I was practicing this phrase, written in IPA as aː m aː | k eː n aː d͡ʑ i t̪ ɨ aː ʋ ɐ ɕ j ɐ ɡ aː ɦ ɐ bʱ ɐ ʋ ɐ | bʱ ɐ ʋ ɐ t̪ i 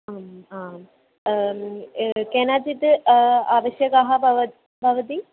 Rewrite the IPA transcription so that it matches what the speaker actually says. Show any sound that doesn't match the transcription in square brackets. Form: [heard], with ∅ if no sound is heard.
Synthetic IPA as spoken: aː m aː | k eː n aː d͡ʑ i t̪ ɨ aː ʋ ɐ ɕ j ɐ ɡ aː ɦ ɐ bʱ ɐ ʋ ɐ | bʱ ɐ ʋ ɐ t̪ i

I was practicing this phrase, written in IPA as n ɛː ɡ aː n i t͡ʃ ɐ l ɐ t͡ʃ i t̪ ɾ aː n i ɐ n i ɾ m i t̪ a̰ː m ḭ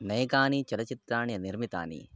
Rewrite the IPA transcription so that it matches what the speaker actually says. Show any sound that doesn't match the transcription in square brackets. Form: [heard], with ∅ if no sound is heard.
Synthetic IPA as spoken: n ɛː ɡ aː n i t͡ʃ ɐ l ɐ t͡ʃ i t̪ ɾ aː n i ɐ n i ɾ m i t̪ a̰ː [n] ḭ

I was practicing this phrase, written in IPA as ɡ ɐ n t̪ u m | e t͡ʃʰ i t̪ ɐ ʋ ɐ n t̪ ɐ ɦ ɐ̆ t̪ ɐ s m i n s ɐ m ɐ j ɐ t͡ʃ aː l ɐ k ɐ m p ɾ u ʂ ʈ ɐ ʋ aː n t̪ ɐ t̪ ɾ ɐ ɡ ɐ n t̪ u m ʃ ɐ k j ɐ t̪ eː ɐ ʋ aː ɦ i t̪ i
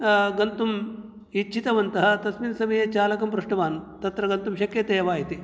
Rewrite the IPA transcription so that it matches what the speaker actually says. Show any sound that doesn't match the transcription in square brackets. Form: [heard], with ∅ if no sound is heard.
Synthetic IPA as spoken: ɡ ɐ n t̪ u m | [i] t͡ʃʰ i t̪ ɐ ʋ ɐ n t̪ ɐ ɦ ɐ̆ t̪ ɐ s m i n s ɐ m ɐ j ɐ t͡ʃ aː l ɐ k ɐ m p ɾ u ʂ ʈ ɐ ʋ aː n t̪ ɐ t̪ ɾ ɐ ɡ ɐ n t̪ u m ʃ ɐ k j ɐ t̪ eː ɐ ʋ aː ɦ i t̪ i

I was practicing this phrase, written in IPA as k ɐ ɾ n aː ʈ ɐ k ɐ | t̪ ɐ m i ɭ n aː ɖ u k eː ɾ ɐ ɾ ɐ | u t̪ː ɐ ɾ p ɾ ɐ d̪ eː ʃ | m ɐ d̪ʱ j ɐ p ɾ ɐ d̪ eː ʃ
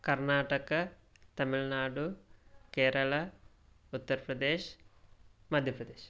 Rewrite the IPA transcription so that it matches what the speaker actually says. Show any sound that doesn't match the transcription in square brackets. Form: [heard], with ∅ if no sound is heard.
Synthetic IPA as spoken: k ɐ ɾ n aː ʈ ɐ k ɐ | t̪ ɐ m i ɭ n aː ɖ u k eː ɾ ɐ [ɭ] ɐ | u t̪ː ɐ ɾ p ɾ ɐ d̪ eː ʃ | m ɐ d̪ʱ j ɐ p ɾ ɐ d̪ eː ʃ

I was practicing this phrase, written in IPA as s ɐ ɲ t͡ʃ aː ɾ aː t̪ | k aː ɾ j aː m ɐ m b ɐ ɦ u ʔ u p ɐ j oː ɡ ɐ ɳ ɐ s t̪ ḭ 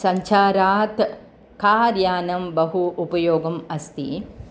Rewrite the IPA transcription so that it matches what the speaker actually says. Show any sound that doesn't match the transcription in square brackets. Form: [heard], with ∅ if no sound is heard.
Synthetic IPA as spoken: s ɐ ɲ t͡ʃ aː ɾ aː t̪ | k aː ɾ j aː [n] ɐ m b ɐ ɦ u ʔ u p ɐ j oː ɡ ɐ [m] ɐ s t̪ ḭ

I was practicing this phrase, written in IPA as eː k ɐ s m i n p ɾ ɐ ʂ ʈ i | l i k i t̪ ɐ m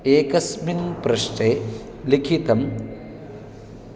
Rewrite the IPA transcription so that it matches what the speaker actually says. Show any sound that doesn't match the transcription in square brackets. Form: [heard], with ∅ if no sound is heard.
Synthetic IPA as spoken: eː k ɐ s m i n p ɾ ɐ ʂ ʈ [e] | l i [kʰ] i t̪ ɐ m

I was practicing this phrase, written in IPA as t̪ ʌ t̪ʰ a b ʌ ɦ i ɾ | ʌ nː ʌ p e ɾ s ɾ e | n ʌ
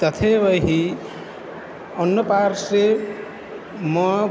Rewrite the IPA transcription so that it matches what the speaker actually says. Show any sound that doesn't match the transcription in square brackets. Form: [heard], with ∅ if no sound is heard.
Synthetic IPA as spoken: t̪ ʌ t̪ʰ [e] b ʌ ɦ i [∅] | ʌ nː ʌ p [a] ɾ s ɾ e | [m] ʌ

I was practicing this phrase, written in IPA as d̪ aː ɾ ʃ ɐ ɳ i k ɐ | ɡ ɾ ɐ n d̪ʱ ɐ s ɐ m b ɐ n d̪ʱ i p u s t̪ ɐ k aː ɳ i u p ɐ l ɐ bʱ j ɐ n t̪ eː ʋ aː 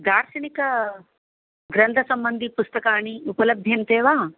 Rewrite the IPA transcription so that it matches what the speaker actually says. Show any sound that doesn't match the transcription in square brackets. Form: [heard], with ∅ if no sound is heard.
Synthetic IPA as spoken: d̪ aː ɾ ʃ ɐ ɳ i k ɐ | ɡ ɾ ɐ n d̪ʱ ɐ s ɐ m b ɐ n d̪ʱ i p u s t̪ ɐ k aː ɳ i u p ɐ l ɐ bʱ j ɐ n t̪ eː ʋ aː

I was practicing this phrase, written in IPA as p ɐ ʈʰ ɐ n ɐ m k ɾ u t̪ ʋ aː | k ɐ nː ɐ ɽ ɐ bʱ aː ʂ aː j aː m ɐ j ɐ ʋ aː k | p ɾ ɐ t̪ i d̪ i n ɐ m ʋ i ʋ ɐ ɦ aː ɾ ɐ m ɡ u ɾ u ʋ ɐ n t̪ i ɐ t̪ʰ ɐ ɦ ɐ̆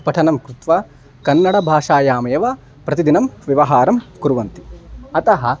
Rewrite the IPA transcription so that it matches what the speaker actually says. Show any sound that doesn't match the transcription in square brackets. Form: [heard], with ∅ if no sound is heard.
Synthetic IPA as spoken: p ɐ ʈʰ ɐ n ɐ m k ɾ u t̪ ʋ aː | k ɐ nː ɐ ɽ ɐ bʱ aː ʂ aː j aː m ɐ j ɐ ʋ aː [∅] | p ɾ ɐ t̪ i d̪ i n ɐ m ʋ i ʋ ɐ ɦ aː ɾ ɐ m [k] u ɾ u ʋ ɐ n t̪ i ɐ [t̪] ɐ ɦ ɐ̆

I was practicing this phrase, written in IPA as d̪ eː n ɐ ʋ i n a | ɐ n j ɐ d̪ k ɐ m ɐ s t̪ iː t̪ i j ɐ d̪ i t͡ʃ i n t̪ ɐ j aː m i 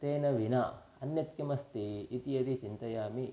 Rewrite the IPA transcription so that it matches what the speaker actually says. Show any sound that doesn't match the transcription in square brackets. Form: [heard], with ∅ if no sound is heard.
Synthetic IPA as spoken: [t̪] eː n ɐ ʋ i n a | ɐ n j ɐ [t̪] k ɐ m ɐ s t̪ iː t̪ i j ɐ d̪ i t͡ʃ i n t̪ ɐ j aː m i

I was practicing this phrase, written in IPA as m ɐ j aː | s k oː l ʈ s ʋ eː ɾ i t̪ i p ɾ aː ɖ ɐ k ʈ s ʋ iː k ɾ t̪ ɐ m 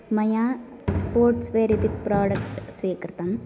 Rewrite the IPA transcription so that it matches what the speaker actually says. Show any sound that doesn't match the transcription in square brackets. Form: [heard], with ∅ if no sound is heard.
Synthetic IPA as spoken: m ɐ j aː | s [p] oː [ɾ] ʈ s ʋ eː ɾ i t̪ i p ɾ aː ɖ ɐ k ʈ s ʋ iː k ɾ t̪ ɐ m

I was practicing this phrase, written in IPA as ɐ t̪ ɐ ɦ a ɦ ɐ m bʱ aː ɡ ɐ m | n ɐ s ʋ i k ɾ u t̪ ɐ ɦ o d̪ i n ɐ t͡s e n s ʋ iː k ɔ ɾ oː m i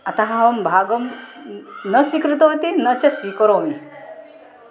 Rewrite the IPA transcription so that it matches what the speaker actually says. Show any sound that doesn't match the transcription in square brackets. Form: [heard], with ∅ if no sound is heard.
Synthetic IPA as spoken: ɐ t̪ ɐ ɦ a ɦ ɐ m bʱ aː ɡ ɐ m | n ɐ s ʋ i k ɾ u t̪ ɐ ɦ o [t̪] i n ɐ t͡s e [∅] s ʋ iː k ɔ ɾ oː m i

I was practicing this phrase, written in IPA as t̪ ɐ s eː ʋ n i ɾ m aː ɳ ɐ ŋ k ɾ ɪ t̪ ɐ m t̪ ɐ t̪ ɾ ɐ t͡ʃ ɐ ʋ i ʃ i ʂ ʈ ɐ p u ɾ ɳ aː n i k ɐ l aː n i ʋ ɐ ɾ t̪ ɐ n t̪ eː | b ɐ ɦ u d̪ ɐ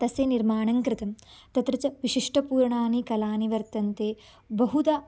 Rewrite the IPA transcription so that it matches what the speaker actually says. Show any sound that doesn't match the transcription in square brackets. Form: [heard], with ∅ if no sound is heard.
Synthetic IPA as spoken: t̪ ɐ s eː [∅] n i ɾ m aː ɳ ɐ ŋ k ɾ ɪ t̪ ɐ m t̪ ɐ t̪ ɾ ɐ t͡ʃ ɐ ʋ i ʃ i ʂ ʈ ɐ p [uː] ɾ ɳ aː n i k ɐ l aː n i ʋ ɐ ɾ t̪ ɐ n t̪ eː | b ɐ ɦ u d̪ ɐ

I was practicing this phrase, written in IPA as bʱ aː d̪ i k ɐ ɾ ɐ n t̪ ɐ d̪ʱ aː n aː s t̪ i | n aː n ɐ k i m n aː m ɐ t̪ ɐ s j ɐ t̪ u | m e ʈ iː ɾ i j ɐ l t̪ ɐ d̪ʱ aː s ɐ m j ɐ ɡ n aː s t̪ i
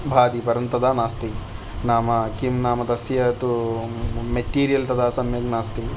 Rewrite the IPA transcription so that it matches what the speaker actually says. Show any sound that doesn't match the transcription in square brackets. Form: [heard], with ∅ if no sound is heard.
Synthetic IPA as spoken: bʱ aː d̪ i [p] ɐ ɾ ɐ n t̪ ɐ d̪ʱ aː n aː s t̪ i | n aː [m] ɐ k i m n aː m ɐ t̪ ɐ s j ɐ t̪ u | m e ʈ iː ɾ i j ɐ l t̪ ɐ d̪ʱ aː s ɐ m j ɐ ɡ n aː s t̪ i

